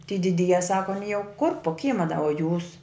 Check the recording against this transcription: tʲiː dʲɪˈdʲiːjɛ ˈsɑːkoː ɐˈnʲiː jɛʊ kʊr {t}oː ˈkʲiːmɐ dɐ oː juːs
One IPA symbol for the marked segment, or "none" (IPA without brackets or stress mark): p